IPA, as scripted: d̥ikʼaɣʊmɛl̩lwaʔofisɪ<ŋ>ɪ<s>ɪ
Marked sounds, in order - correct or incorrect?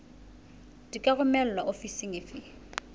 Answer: correct, incorrect

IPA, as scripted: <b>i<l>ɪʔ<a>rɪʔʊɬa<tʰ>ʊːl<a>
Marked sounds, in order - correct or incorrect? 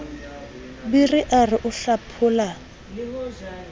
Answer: correct, incorrect, correct, incorrect, correct

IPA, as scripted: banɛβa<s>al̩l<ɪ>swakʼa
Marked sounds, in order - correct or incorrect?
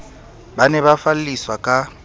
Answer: incorrect, incorrect

